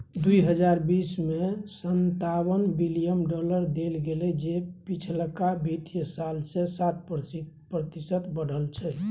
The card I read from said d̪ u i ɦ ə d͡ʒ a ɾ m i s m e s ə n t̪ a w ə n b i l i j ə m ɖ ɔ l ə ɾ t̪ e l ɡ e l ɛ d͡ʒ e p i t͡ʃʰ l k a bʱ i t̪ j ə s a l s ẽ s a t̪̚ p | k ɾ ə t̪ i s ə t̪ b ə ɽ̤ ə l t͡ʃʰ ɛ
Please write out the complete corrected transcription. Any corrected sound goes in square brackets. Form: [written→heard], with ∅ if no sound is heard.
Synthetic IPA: d̪ u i ɦ ə d͡ʒ a ɾ [m→b] i s m e s ə n t̪ a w ə n b i l i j ə m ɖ ɔ l ə ɾ [t̪→d̪] e l ɡ e l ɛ d͡ʒ e p i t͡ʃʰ l k a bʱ i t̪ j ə s a l s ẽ s a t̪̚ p | [k→p] ɾ ə t̪ i s ə t̪ b ə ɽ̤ ə l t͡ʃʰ ɛ